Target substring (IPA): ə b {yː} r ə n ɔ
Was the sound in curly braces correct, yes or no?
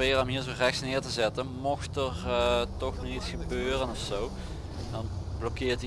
no